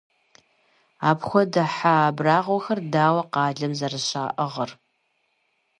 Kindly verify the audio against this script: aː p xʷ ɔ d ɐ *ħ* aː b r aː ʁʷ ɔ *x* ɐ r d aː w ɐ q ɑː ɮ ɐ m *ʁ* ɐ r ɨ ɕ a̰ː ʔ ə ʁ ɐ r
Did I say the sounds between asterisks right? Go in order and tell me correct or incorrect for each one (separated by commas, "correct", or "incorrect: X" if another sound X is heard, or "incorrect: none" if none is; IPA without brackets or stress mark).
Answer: correct, correct, incorrect: z